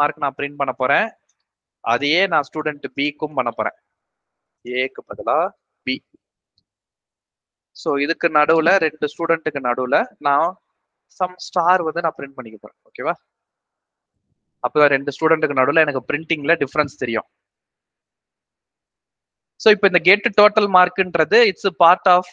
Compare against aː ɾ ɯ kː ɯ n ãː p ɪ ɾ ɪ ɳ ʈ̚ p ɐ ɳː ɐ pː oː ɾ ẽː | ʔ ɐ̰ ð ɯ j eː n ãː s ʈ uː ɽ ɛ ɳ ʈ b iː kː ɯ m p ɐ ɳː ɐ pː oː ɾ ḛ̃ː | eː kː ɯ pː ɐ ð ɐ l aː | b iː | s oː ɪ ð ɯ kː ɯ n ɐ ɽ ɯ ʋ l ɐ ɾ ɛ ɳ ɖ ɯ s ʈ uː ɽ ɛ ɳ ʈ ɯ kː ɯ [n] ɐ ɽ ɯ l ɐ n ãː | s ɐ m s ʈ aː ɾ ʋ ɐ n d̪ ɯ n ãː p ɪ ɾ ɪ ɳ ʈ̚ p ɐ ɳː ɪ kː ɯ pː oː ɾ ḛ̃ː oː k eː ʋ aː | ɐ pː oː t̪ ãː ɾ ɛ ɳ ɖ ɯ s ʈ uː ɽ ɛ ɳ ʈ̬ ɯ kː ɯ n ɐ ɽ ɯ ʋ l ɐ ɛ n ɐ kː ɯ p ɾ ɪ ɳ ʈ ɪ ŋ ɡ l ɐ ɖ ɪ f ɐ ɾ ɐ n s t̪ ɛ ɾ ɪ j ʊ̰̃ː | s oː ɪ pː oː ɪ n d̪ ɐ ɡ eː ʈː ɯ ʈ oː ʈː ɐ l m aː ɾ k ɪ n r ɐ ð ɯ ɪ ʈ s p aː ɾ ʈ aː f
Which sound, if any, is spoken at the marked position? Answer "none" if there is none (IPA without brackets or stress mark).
n